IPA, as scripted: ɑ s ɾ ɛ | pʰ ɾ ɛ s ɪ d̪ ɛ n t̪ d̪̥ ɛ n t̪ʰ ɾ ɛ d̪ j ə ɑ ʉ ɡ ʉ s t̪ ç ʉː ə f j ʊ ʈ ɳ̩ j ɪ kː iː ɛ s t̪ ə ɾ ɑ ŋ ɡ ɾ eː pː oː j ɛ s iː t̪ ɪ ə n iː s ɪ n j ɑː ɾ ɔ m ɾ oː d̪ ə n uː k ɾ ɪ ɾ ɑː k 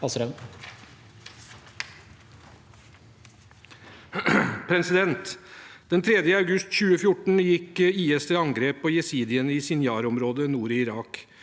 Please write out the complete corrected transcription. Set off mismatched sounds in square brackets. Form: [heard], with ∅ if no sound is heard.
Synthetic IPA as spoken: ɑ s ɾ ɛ | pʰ ɾ ɛ s ɪ d̪ ɛ n t̪ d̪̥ ɛ n t̪ʰ ɾ ɛ d̪ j ə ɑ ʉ ɡ ʉ s t̪ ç ʉː ə f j ʊ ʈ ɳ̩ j ɪ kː iː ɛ s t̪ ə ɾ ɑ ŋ ɡ ɾ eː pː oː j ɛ s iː [d̪] ɪ ə n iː s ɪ n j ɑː ɾ ɔ m ɾ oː d̪ ə n uː [∅] ɾ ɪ ɾ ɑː k